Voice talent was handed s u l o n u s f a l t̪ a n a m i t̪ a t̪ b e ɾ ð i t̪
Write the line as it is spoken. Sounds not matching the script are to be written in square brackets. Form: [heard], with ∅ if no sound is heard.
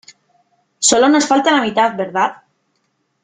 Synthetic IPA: s [o] l o n [o] s f a l t̪ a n a m i t̪ a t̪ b e ɾ ð [a] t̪